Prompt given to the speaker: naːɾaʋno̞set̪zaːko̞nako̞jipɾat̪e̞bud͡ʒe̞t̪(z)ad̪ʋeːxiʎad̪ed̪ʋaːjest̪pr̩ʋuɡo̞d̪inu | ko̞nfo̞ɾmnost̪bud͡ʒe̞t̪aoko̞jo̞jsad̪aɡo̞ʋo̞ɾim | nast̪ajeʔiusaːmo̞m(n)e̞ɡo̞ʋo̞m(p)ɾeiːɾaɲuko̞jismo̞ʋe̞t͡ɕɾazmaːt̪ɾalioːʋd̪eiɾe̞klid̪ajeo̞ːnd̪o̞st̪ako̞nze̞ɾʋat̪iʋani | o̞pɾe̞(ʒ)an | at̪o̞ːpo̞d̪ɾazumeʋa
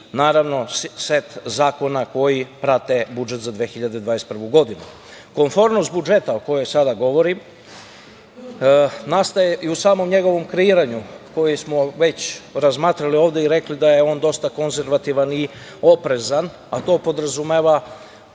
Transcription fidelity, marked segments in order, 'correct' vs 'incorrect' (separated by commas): correct, incorrect, incorrect, incorrect